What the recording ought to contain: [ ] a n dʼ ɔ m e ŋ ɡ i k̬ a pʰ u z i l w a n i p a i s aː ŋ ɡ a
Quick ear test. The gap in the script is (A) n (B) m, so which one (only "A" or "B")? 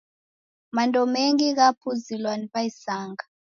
B